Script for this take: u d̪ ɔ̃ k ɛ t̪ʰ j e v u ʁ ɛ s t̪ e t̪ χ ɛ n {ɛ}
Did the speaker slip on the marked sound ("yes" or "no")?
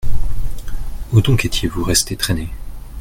yes